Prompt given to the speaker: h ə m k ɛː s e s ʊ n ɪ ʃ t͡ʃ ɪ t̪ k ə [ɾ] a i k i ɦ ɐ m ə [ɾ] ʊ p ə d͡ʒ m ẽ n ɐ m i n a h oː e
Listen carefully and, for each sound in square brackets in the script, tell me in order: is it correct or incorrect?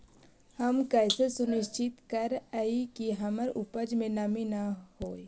correct, correct

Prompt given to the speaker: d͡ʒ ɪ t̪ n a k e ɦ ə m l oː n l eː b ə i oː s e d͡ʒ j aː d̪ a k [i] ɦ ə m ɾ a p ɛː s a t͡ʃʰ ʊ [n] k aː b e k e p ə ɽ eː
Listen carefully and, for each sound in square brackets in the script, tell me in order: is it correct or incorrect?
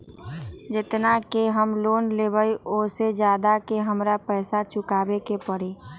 incorrect: e, incorrect: none

